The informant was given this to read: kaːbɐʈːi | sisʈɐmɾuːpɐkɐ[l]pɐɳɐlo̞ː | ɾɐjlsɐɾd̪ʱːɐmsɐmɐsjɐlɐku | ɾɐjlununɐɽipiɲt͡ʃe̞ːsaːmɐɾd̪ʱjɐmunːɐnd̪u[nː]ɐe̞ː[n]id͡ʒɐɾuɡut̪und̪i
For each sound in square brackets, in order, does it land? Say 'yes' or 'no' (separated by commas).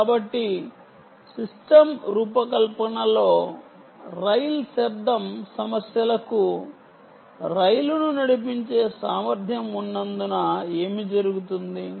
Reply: yes, no, no